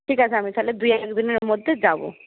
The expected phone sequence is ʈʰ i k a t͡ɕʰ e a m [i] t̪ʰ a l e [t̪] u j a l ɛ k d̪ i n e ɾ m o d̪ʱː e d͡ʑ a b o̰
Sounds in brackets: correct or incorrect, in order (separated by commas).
correct, incorrect